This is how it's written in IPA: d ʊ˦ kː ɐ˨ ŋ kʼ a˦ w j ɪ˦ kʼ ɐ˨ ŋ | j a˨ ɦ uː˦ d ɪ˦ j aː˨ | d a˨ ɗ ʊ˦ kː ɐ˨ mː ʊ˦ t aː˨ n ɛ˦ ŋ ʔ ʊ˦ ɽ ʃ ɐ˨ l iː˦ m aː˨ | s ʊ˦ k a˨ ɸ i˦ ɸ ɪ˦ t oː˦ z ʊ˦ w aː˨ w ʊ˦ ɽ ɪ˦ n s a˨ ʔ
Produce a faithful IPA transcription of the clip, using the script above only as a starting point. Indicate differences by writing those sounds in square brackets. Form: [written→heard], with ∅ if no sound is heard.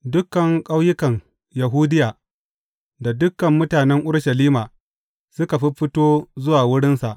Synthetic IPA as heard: d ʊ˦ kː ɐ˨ ŋ kʼ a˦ w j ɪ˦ [kʼ→k] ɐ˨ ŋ | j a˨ ɦ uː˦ d ɪ˦ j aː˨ | d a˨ [ɗ→d] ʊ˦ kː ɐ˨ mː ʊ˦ t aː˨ n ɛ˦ ŋ ʔ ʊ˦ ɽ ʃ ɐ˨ l iː˦ m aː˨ | s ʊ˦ k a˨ ɸ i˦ ɸ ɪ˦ t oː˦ z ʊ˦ w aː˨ w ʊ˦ ɽ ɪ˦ n s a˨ ʔ